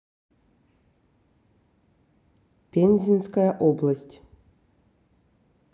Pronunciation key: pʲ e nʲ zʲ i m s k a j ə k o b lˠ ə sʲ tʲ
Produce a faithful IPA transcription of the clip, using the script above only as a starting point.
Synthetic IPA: pʲ e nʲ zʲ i n s k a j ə ʔ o b lˠ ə sʲ tʲ